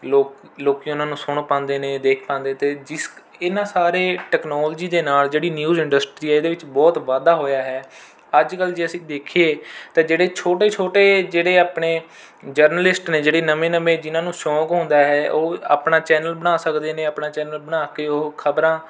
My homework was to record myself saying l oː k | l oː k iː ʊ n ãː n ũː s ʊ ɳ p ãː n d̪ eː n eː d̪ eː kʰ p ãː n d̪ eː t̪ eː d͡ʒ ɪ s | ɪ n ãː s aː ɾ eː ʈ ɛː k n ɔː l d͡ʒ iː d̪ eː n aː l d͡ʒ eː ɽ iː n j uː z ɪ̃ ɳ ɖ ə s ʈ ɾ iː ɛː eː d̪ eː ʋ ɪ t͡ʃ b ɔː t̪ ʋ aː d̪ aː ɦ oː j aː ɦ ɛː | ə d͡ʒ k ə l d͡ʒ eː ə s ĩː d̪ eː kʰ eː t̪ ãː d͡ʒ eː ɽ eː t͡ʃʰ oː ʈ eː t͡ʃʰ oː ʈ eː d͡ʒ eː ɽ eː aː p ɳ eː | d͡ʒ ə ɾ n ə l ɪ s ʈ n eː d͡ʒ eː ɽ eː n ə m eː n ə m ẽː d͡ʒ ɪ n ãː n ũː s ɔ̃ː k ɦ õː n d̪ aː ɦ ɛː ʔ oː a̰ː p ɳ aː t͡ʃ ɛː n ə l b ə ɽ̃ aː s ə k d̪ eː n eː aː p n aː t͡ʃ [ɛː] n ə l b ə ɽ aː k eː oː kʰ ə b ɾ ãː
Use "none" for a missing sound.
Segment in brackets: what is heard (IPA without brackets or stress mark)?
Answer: ɛː